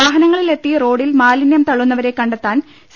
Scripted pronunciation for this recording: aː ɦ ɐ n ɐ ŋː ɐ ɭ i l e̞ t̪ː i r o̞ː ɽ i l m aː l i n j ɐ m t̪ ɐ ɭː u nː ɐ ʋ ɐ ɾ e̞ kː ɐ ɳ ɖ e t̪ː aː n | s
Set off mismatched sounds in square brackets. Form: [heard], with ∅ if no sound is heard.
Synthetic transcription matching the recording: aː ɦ ɐ n ɐ ŋː ɐ ɭ i l e̞ t̪ː i r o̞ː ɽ i l m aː l i n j ɐ m t̪ ɐ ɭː u nː ɐ ʋ ɐ ɾ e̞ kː ɐ ɳ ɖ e t̪ː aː n | s